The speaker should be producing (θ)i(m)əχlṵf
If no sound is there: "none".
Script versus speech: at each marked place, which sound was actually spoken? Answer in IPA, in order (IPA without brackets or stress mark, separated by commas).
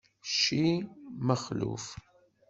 ʃ, m